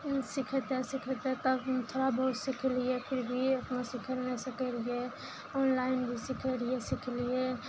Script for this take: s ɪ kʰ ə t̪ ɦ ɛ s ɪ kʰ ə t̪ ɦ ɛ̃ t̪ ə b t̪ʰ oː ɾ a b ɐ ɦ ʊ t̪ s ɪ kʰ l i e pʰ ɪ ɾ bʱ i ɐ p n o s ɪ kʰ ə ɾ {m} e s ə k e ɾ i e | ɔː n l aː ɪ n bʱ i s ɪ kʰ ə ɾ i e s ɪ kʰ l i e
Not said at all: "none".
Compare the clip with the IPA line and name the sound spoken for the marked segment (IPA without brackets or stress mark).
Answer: n